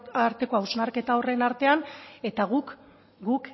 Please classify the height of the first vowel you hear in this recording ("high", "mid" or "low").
low